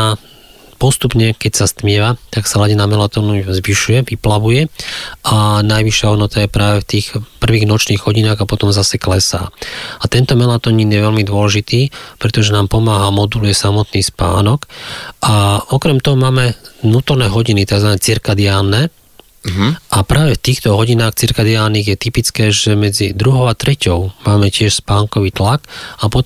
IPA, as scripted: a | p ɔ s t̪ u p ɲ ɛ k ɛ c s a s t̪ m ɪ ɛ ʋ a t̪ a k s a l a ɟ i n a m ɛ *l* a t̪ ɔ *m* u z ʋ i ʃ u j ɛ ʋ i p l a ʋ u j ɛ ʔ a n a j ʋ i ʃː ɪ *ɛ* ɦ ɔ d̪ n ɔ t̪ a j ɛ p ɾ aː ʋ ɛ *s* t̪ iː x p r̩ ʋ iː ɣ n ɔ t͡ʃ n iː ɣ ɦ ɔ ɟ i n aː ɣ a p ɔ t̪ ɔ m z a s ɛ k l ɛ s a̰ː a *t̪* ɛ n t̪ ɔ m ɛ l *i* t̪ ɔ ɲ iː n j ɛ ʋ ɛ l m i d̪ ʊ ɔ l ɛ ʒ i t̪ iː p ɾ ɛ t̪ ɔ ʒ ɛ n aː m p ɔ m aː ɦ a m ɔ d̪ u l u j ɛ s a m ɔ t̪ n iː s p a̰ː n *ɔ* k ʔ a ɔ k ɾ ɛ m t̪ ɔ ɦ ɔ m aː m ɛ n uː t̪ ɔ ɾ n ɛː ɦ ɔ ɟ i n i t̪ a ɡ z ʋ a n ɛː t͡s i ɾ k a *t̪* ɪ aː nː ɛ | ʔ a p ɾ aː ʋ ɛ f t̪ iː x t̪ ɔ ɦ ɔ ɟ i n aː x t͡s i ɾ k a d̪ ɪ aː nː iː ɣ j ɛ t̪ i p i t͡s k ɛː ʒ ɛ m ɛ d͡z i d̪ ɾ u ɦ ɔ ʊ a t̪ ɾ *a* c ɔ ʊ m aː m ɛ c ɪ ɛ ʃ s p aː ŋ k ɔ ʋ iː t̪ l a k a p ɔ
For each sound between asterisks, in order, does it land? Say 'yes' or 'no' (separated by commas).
yes, no, no, no, yes, no, yes, no, no